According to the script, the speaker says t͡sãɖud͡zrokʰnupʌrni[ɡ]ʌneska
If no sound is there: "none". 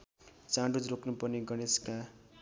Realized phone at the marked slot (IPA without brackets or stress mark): ɡ